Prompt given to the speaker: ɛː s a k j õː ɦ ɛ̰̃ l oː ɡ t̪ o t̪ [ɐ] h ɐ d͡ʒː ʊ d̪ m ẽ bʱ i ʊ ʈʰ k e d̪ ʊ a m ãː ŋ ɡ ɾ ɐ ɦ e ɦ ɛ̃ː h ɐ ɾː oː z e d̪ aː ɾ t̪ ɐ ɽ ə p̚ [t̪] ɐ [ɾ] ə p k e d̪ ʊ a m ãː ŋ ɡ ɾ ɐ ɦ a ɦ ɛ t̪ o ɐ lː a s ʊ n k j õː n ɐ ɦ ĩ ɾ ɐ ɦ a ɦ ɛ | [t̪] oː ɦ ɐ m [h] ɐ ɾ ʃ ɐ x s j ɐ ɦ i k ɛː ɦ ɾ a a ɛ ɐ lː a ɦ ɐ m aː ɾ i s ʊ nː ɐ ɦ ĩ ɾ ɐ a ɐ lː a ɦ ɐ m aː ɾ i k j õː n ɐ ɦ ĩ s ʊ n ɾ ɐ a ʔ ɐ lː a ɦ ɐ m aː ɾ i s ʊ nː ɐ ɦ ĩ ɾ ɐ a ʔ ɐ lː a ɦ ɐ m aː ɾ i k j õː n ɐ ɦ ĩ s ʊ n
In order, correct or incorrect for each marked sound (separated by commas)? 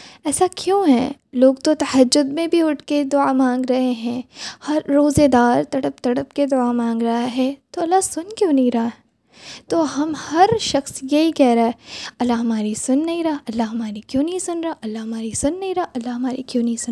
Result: correct, correct, incorrect, correct, correct